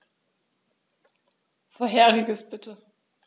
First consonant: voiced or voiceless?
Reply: voiceless